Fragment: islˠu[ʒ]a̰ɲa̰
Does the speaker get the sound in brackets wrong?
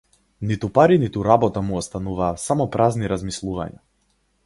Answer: yes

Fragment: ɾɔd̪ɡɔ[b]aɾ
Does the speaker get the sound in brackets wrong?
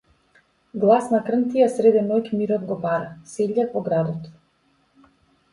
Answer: no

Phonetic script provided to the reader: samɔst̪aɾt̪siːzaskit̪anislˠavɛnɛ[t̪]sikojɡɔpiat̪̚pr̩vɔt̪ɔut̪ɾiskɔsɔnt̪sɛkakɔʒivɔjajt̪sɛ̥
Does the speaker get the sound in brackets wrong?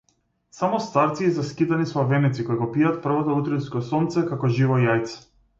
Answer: no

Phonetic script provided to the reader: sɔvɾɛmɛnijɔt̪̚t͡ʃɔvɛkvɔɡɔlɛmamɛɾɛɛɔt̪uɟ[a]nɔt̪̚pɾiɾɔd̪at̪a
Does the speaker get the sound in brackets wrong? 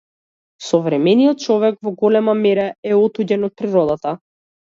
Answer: yes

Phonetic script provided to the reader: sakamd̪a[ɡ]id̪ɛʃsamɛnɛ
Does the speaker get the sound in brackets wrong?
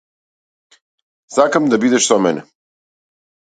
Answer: yes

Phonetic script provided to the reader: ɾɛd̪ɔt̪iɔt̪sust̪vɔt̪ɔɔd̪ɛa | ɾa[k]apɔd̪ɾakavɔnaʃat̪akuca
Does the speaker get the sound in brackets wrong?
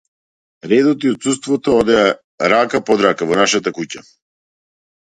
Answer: no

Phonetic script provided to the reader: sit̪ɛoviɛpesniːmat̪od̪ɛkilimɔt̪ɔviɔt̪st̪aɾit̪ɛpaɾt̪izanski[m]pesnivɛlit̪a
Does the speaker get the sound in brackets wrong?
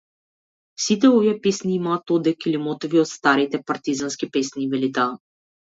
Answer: yes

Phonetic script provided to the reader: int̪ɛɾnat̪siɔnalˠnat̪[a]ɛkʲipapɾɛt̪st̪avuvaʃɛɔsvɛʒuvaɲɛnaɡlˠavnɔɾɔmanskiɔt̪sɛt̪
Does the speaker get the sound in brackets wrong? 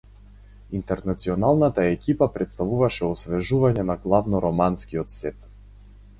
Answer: no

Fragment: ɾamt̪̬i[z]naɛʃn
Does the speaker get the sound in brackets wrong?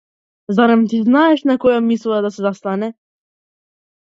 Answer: no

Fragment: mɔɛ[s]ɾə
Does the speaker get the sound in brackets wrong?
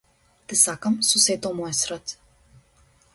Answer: no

